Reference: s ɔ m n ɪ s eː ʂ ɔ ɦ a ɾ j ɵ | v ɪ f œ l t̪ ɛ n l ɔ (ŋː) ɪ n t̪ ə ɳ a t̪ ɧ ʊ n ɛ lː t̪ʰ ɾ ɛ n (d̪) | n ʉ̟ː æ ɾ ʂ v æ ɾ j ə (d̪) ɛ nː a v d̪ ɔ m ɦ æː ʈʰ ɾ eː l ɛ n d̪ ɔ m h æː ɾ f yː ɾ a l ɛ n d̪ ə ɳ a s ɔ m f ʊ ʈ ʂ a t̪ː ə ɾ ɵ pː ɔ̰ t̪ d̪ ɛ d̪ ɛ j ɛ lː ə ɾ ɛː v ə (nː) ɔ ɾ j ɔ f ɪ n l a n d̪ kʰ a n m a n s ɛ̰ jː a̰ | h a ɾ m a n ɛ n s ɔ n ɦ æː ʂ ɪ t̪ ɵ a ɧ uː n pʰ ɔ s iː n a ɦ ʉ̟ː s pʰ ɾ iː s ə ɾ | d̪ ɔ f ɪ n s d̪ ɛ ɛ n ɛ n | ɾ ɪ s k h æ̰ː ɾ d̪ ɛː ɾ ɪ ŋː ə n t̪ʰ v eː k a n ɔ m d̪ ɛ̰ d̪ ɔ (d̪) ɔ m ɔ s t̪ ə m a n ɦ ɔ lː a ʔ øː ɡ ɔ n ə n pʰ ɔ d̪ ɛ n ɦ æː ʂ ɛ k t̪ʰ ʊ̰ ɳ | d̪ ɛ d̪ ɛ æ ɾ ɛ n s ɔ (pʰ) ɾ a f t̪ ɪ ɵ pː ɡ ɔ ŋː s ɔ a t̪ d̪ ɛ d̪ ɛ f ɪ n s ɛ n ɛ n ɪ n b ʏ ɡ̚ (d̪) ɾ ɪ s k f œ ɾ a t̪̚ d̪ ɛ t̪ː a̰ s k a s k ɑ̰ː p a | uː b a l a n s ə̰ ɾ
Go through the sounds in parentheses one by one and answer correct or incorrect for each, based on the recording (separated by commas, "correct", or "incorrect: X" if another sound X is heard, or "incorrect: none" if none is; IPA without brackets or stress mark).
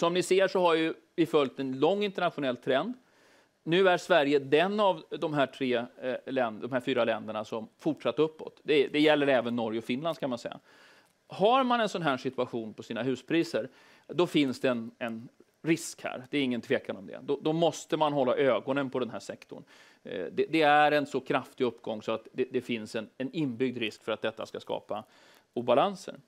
correct, correct, correct, correct, correct, incorrect: kʰ, correct